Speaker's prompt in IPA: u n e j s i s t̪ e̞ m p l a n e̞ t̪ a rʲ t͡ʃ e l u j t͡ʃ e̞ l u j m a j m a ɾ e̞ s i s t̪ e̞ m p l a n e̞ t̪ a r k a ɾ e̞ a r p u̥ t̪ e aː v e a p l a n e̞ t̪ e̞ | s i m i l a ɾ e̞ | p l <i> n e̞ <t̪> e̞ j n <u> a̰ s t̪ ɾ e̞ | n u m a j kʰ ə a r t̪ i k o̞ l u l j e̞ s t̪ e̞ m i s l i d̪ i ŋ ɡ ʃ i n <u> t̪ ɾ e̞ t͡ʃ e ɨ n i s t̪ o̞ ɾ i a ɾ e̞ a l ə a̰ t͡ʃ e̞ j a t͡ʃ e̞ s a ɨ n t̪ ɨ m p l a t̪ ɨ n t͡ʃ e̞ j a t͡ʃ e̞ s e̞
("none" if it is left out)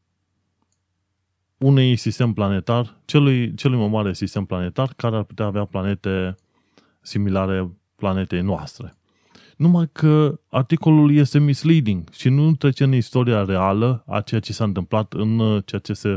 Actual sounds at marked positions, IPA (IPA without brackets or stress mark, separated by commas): a, t̪, o, u